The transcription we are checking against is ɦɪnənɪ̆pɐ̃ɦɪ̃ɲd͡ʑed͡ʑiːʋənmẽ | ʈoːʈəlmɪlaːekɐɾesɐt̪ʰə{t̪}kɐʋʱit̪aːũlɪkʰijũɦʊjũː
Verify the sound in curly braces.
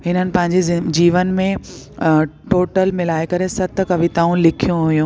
incorrect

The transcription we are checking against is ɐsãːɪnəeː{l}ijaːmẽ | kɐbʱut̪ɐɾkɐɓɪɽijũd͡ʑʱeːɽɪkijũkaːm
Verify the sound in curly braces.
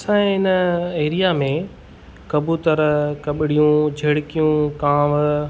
incorrect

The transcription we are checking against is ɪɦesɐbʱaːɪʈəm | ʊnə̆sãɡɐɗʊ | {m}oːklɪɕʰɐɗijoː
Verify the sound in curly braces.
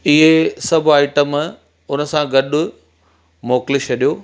correct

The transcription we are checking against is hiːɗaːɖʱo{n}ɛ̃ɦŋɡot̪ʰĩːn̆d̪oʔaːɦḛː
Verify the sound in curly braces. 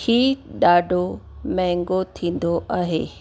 incorrect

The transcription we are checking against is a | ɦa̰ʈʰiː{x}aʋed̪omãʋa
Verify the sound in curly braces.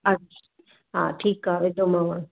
incorrect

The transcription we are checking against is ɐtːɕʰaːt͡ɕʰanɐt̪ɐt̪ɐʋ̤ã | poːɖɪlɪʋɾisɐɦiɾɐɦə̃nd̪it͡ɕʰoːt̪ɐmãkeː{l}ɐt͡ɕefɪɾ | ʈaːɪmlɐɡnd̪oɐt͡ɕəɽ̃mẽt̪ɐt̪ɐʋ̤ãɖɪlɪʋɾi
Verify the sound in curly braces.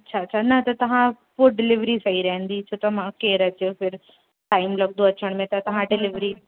incorrect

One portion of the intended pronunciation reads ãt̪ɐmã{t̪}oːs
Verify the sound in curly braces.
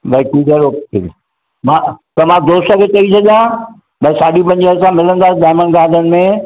incorrect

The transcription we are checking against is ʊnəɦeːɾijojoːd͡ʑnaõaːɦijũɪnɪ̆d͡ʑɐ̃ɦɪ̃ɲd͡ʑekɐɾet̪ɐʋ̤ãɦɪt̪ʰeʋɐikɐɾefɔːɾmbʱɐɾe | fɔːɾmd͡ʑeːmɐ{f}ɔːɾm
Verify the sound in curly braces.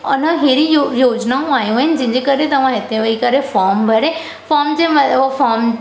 correct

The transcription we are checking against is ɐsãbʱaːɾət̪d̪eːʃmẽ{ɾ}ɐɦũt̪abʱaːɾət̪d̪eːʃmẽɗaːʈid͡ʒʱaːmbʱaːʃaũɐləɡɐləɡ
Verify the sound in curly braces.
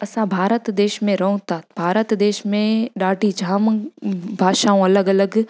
correct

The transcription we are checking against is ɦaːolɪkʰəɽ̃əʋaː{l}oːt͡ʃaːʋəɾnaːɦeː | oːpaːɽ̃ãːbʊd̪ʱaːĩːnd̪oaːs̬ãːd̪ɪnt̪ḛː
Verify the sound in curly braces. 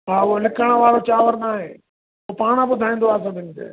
incorrect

